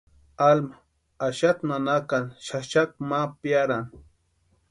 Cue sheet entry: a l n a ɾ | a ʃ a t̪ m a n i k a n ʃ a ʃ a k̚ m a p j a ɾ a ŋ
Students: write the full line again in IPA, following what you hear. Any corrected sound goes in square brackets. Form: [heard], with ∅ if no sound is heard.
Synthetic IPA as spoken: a l [m] a [∅] | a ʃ a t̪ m a n [a] k a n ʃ a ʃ a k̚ m a p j a ɾ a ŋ